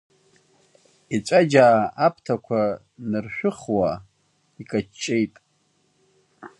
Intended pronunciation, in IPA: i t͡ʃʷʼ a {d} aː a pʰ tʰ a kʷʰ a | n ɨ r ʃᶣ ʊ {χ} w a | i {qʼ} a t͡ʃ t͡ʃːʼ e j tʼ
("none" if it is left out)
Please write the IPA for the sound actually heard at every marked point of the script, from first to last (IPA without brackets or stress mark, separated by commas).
d͡ʒ, χ, kʼ